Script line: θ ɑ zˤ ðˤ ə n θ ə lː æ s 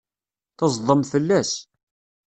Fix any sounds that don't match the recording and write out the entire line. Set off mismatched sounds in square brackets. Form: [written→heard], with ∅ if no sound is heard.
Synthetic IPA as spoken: θ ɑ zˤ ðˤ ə [n→m] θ ə lː æ s